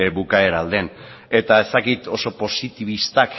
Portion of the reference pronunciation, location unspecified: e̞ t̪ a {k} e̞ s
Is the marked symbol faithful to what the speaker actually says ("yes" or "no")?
no